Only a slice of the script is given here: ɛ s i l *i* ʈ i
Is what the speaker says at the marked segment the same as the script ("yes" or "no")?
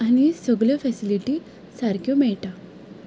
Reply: yes